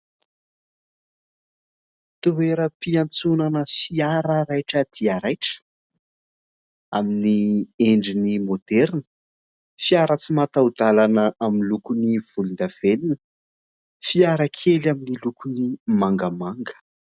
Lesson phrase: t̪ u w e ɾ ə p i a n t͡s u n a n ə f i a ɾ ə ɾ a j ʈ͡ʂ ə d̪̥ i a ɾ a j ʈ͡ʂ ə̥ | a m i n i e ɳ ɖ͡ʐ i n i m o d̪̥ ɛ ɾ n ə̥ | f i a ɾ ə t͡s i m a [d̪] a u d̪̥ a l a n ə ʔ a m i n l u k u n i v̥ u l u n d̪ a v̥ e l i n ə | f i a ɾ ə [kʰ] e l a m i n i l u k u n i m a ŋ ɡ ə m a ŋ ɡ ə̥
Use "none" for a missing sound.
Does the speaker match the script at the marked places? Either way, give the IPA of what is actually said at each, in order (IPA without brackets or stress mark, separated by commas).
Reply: t̪, kʰ